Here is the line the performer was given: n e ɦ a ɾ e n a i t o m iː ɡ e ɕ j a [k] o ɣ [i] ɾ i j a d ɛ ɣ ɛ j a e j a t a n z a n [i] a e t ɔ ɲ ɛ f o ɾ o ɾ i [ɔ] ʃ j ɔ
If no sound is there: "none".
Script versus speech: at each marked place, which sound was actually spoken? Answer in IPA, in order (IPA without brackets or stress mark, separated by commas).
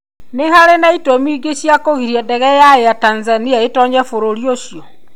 k, i, i, o